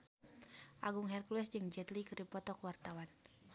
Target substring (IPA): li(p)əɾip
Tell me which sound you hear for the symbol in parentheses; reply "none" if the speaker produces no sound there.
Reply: k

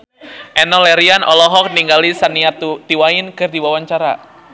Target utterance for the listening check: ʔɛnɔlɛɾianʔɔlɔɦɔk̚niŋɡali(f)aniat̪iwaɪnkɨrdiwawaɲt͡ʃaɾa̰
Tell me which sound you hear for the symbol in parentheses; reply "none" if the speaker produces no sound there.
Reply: s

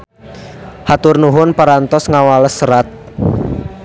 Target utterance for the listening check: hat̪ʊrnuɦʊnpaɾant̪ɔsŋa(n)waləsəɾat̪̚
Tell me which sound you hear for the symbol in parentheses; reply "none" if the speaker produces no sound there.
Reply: none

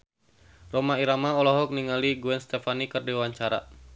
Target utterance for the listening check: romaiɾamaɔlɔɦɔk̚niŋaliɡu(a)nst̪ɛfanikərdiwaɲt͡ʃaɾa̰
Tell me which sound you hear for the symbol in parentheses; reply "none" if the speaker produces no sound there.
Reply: ɛ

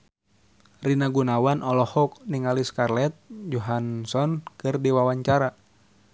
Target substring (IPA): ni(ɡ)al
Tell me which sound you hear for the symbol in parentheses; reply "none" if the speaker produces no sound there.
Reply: ŋ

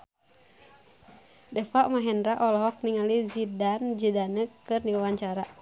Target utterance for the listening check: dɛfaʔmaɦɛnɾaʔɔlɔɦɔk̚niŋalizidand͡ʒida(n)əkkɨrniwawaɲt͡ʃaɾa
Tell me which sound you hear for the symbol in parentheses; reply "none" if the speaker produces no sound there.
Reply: n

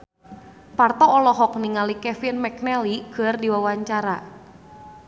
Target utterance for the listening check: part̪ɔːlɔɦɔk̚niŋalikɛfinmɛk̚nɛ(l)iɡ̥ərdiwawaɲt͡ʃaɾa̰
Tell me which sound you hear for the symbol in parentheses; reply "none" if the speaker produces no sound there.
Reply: l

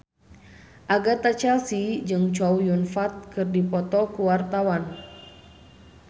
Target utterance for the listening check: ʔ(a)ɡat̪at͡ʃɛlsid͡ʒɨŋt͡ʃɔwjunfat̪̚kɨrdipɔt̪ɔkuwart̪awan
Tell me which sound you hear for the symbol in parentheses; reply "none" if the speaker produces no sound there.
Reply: a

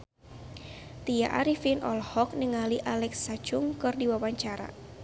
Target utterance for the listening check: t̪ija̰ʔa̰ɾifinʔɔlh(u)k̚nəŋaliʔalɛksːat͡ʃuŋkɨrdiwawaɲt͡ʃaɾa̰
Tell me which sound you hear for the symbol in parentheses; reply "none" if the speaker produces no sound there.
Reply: ɔ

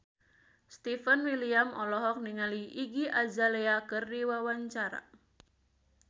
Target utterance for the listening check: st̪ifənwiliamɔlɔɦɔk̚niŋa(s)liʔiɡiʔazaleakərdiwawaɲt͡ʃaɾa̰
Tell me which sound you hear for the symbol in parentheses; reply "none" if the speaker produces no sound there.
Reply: none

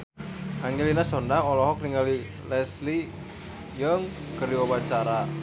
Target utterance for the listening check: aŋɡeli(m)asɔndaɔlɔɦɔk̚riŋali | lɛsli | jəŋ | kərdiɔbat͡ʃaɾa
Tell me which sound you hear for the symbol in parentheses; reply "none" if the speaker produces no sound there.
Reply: n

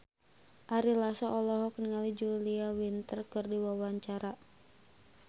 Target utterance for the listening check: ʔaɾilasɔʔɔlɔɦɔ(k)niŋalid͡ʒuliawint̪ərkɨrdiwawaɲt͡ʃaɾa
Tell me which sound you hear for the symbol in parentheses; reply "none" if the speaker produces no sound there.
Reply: k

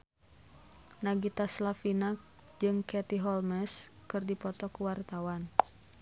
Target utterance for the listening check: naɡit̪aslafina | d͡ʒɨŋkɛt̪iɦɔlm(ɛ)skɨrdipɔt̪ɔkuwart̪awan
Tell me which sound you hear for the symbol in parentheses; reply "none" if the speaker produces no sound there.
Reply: ɛ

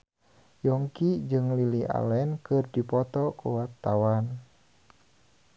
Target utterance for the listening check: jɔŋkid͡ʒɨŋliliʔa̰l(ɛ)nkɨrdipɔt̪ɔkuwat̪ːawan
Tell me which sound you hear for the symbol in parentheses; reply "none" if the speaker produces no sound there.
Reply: ɛ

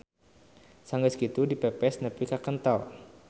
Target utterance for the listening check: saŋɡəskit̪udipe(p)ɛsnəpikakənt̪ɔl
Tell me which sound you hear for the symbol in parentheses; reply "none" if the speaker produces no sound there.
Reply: p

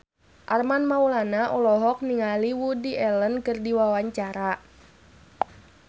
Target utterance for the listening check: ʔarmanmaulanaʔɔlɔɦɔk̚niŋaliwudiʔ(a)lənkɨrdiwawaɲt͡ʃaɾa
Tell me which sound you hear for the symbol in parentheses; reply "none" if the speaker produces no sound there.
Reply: ɛ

